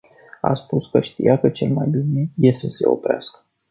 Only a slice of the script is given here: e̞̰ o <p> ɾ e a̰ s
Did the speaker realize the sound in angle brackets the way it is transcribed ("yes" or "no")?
yes